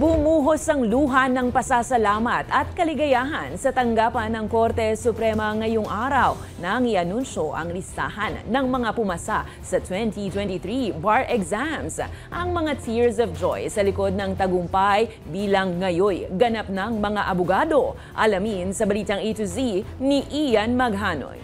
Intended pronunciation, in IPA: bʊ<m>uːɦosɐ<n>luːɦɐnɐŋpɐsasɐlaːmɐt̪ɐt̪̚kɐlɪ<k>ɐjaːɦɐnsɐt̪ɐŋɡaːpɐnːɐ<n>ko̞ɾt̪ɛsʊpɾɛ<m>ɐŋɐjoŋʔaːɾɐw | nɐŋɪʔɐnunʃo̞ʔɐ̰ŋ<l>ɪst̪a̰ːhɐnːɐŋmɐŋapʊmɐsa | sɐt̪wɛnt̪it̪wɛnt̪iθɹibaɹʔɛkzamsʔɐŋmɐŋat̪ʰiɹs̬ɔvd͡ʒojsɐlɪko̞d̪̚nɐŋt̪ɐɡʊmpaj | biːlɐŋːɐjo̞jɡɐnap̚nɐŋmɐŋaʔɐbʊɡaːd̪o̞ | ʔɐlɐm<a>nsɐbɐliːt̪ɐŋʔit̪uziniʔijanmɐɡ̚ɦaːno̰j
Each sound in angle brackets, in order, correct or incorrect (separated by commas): correct, incorrect, incorrect, incorrect, correct, correct, incorrect